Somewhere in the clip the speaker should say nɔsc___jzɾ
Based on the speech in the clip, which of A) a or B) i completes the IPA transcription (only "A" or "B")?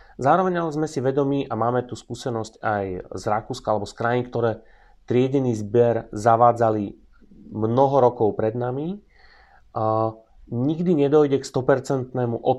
A